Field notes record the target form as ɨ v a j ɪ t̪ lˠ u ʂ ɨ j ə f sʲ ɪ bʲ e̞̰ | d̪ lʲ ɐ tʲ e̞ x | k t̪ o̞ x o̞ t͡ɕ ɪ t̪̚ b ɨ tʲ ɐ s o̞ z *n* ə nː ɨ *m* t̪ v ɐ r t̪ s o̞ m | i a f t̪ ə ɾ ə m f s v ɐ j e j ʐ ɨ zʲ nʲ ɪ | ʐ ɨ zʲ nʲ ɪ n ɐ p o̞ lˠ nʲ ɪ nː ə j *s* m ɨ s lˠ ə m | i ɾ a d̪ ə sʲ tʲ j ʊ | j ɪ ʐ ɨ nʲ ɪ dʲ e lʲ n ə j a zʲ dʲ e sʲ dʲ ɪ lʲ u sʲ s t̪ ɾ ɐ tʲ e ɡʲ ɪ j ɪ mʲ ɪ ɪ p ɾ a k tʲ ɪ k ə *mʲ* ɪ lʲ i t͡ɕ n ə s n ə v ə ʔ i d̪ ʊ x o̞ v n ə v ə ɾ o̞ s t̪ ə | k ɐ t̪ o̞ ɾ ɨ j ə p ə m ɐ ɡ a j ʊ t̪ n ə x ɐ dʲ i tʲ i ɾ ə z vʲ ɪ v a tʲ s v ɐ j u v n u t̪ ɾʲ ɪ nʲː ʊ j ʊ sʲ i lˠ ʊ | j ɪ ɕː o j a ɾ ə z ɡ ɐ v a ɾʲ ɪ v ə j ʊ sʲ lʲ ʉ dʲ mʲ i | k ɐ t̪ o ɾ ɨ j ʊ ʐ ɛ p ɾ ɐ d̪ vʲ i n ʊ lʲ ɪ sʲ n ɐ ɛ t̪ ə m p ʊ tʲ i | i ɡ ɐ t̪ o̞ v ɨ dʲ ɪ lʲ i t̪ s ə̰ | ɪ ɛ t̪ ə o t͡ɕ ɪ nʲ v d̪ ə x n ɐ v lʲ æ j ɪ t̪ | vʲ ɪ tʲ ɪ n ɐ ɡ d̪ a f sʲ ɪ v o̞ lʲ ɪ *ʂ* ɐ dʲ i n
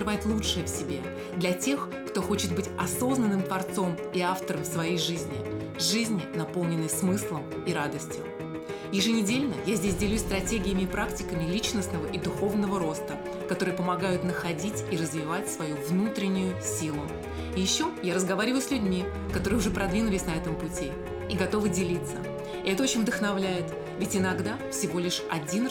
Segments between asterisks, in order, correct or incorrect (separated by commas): correct, correct, correct, correct, correct